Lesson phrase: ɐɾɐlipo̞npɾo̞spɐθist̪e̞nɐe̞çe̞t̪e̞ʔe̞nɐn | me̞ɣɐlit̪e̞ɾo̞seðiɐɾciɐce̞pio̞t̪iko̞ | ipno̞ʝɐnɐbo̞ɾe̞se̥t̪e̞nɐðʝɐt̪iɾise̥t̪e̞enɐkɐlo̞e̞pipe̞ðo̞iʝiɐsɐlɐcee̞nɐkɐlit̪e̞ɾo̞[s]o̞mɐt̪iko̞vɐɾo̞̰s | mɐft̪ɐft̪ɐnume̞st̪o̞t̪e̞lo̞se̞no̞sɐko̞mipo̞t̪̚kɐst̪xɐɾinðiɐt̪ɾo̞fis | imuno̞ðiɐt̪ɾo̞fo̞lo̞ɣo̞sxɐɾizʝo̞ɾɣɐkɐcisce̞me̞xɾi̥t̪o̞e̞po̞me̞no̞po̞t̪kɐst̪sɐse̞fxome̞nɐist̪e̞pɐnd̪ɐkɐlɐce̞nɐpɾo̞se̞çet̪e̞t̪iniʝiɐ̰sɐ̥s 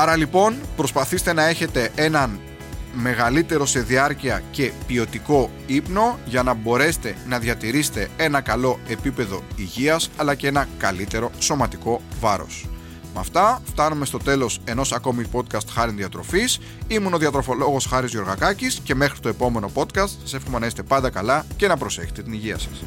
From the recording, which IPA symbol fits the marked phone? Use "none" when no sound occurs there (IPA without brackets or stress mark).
s